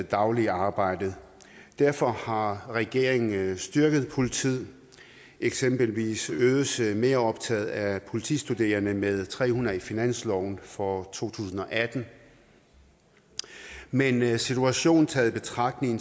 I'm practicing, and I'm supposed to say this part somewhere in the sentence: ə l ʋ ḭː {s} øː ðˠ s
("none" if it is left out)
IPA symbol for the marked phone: s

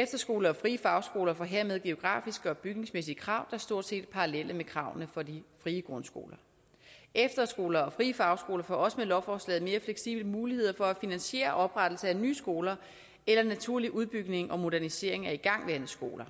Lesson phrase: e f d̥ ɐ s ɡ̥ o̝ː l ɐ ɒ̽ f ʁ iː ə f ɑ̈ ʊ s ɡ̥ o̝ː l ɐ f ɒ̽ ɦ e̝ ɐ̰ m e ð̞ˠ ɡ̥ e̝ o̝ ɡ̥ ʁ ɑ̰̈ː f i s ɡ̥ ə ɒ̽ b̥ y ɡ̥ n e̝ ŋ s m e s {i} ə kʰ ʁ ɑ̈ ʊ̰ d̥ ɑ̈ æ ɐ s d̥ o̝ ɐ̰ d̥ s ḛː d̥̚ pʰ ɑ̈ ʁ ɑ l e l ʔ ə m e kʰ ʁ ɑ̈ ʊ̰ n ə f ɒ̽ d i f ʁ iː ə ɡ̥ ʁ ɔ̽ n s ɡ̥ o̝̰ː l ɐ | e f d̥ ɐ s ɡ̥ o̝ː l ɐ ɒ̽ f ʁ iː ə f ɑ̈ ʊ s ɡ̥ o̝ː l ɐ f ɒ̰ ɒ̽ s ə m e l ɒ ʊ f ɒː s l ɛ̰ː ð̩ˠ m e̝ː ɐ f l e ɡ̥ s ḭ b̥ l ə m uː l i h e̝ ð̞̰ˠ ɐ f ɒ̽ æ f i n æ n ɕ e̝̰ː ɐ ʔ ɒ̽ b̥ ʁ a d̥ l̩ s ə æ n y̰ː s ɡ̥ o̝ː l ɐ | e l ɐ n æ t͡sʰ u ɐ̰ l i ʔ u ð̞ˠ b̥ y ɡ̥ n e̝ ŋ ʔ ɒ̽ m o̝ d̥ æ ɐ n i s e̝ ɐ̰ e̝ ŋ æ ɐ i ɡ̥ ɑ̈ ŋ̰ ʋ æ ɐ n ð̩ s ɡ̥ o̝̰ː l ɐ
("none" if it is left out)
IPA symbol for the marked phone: i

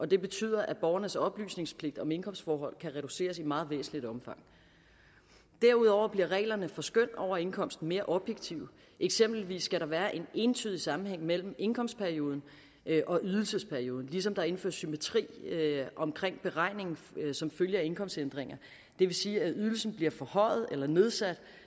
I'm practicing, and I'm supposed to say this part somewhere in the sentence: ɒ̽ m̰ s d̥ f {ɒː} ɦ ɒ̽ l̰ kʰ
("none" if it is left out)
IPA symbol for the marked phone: ɒː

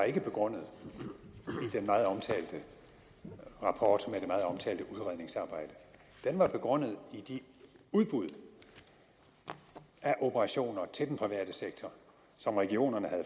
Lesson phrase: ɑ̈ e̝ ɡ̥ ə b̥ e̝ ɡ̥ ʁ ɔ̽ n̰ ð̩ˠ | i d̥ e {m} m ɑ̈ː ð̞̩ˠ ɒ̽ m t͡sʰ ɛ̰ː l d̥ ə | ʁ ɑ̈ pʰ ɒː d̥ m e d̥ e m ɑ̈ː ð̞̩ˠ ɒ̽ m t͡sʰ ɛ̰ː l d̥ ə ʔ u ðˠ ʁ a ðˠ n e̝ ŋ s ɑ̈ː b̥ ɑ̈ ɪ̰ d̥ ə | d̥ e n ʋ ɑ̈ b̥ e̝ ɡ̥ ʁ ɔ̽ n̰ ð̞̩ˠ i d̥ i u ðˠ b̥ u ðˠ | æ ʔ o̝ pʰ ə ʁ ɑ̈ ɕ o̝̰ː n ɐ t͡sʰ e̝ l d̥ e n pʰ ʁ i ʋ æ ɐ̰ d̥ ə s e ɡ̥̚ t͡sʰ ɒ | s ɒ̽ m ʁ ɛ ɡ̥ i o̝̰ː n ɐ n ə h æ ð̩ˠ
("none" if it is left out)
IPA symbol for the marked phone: n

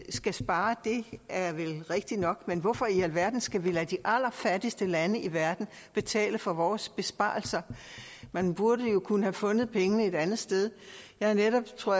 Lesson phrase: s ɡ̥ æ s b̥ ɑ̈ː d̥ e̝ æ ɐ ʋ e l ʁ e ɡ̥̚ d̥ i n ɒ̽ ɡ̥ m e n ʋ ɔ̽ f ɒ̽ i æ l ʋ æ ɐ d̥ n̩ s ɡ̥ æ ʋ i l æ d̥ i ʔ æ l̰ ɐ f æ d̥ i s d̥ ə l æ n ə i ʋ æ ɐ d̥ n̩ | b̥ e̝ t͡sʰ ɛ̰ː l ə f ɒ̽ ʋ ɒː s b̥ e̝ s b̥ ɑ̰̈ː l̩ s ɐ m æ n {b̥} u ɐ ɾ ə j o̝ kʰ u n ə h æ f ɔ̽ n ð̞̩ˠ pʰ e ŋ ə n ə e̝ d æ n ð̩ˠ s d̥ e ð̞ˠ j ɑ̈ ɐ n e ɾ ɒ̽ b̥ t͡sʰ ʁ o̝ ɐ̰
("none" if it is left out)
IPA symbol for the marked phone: b̥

